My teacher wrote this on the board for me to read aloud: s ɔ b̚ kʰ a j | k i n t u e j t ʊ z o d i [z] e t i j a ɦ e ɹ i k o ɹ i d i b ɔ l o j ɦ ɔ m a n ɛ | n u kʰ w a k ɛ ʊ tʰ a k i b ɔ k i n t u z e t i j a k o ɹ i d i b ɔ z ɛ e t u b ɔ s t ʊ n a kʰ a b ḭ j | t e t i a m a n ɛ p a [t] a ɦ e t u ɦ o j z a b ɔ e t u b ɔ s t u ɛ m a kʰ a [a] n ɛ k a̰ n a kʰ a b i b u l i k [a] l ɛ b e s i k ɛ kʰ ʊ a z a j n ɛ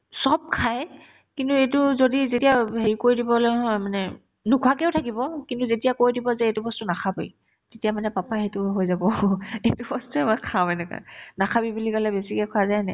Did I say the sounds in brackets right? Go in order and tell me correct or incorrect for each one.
correct, incorrect: p, incorrect: ɛ, correct

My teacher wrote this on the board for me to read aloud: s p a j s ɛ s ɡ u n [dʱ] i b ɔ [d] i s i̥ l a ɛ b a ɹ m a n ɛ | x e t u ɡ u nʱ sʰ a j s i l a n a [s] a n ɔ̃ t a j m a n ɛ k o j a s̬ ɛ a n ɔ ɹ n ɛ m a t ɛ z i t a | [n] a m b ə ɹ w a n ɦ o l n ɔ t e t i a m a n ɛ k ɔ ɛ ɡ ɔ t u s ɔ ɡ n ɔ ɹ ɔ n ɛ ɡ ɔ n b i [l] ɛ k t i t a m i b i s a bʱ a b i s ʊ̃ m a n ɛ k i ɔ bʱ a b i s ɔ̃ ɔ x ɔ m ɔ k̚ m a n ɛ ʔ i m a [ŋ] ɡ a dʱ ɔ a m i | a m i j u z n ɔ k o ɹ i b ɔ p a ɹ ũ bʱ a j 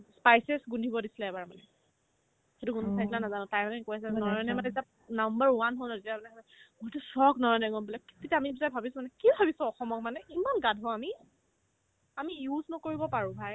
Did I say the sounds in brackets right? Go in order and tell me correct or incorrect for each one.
correct, correct, incorrect: z, correct, correct, incorrect: n

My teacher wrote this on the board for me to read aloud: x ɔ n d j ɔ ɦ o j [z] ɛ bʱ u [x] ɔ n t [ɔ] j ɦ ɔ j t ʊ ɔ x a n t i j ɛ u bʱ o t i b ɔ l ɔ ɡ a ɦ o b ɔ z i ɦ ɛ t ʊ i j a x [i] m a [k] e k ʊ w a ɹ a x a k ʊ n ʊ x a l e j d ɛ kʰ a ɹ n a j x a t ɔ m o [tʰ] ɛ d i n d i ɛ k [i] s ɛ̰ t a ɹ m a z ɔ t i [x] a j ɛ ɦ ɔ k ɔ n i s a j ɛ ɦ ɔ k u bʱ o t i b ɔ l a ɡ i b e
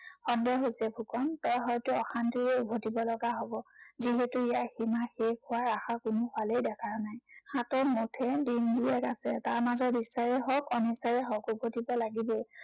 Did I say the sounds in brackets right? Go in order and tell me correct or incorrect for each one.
incorrect: s, incorrect: k, correct, correct, incorrect: x, correct, incorrect: a, incorrect: s

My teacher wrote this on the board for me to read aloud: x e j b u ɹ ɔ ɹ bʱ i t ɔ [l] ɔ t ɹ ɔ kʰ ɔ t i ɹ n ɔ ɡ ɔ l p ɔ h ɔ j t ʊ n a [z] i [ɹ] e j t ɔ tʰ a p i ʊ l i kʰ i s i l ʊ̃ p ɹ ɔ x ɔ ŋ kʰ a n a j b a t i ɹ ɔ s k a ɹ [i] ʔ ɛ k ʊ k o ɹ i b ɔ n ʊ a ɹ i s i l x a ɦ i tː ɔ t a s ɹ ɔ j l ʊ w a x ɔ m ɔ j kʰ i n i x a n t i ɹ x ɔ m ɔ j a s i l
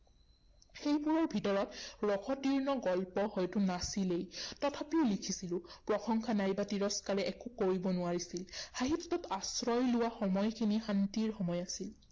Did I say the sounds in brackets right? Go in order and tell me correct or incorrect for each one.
incorrect: ɹ, incorrect: s, incorrect: l, incorrect: ɛ

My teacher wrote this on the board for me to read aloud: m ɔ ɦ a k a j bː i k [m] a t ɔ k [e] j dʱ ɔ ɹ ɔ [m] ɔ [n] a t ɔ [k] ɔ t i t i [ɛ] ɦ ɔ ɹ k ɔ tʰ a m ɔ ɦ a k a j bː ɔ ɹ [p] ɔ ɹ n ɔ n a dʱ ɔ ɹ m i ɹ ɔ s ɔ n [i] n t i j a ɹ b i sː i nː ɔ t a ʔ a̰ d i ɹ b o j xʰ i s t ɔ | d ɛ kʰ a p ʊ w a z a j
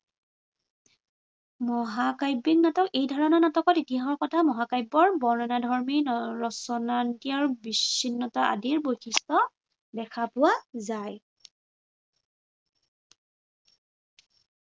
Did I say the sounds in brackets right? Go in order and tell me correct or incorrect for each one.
incorrect: n, correct, incorrect: n, correct, correct, incorrect: a, incorrect: b, incorrect: a

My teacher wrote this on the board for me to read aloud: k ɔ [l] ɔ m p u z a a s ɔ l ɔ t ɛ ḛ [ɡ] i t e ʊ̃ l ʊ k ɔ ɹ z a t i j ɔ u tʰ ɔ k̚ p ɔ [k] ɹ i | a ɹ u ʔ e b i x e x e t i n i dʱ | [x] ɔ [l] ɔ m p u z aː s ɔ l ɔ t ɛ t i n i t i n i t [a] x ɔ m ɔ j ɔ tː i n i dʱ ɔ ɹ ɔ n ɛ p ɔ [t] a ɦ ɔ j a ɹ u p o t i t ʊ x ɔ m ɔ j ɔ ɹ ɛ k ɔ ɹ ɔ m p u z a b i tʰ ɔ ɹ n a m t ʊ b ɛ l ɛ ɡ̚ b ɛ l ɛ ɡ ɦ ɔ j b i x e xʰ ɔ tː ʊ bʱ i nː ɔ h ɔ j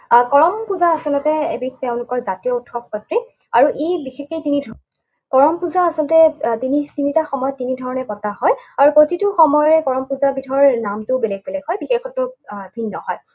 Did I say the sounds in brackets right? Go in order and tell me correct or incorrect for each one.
incorrect: ɹ, incorrect: b, incorrect: t, incorrect: k, incorrect: ɹ, correct, correct

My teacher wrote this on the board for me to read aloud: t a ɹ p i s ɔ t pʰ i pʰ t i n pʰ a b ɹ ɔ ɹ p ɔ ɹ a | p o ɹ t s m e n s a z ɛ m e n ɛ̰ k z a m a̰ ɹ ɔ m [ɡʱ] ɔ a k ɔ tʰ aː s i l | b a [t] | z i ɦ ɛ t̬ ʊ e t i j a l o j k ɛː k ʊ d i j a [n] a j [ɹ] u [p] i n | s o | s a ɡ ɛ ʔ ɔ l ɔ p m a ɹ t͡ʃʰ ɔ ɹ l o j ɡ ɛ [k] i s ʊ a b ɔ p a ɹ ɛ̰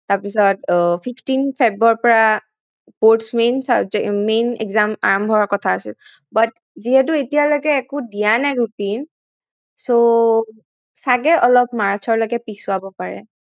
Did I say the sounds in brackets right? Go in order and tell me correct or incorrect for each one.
incorrect: bʱ, correct, correct, correct, incorrect: t, incorrect: p

